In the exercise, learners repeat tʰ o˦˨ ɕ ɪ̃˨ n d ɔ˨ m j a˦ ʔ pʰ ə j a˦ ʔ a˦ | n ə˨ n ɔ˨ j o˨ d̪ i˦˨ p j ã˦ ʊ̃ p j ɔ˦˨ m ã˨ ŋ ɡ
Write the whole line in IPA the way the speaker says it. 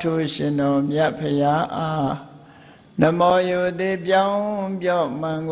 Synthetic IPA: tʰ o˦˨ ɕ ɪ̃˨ n d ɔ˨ m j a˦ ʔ pʰ ə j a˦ ʔ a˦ | n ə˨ m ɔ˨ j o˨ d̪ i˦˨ p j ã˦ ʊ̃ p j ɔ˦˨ m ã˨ ŋ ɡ